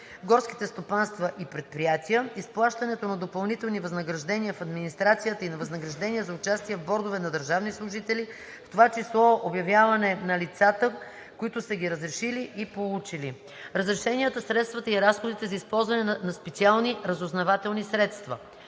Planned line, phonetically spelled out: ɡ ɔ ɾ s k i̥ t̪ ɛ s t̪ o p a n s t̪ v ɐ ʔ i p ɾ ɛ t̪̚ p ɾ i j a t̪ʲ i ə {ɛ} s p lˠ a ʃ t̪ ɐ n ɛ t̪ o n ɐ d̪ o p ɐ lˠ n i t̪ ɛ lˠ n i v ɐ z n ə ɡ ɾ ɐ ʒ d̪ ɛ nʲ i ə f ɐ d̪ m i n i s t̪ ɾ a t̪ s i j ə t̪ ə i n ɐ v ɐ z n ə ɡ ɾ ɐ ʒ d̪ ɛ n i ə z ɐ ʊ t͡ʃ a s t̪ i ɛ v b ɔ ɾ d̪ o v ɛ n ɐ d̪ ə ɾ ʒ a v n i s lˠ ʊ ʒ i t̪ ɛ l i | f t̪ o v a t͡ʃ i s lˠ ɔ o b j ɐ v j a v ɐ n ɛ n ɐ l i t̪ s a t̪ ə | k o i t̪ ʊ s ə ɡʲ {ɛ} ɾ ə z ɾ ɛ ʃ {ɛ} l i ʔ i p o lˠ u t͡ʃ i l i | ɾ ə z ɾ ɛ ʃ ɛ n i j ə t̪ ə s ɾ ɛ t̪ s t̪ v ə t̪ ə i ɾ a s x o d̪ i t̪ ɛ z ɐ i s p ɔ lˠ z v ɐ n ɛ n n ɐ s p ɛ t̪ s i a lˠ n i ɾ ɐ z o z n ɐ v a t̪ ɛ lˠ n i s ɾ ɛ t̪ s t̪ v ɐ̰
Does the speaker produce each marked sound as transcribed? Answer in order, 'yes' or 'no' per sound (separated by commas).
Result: no, no, no